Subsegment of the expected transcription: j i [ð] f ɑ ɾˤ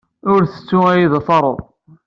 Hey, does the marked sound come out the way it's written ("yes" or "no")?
yes